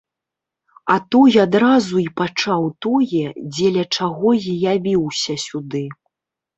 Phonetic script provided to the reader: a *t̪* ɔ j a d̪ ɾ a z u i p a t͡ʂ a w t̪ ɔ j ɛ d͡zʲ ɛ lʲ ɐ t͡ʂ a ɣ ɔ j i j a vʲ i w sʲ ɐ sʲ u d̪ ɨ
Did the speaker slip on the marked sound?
no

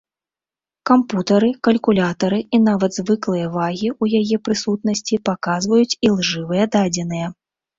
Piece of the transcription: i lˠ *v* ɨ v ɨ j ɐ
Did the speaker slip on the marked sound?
yes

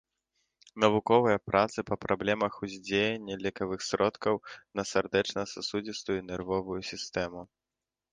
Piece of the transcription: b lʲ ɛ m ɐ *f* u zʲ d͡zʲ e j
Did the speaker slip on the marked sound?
yes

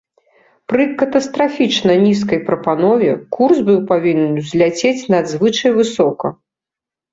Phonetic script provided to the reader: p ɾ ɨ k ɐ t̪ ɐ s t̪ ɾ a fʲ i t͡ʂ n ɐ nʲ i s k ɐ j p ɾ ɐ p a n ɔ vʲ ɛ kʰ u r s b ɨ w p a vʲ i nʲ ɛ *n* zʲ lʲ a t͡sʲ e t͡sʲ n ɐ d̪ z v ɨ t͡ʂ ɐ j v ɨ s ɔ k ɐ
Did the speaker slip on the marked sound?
no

